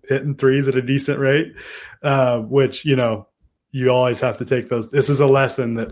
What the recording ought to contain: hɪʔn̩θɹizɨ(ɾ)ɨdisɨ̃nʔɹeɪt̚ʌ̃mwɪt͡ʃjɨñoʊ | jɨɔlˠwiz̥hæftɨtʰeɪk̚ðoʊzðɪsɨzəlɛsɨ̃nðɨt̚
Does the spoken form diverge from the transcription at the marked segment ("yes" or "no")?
no